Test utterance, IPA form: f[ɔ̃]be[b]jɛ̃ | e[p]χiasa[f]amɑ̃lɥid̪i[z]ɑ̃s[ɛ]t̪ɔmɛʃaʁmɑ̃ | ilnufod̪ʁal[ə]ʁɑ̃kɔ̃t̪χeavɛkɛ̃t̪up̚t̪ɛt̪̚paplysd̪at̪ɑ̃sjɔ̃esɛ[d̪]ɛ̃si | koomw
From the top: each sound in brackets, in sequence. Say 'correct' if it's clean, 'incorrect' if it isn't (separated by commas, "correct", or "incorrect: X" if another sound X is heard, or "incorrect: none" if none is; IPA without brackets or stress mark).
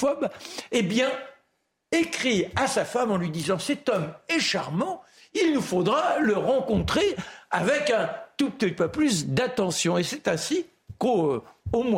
incorrect: ɔ, correct, incorrect: k, correct, correct, correct, correct, incorrect: t̪